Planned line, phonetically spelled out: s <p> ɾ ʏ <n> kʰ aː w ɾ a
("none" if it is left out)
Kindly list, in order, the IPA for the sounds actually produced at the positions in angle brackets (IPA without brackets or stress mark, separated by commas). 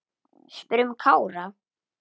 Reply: p, m